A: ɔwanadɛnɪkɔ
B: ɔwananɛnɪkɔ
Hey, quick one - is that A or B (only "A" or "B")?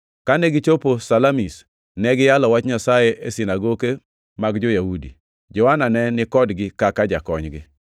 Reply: B